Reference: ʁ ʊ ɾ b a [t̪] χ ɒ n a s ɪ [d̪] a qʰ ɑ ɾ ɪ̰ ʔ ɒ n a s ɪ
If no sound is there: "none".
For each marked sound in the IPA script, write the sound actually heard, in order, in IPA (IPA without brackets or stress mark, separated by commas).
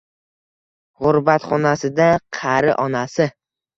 t̪, d̪